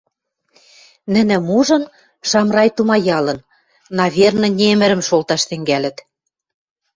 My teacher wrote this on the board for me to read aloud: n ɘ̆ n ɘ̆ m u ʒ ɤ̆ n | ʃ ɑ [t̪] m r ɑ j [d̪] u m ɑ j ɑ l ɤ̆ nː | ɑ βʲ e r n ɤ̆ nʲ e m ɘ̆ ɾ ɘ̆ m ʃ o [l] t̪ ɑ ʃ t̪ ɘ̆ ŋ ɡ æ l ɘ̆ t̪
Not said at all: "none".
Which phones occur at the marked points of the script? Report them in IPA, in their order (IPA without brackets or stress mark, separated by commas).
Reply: none, t̪, l